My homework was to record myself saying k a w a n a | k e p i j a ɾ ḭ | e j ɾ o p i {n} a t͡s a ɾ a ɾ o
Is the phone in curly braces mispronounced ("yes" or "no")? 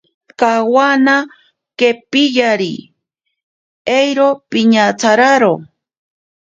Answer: yes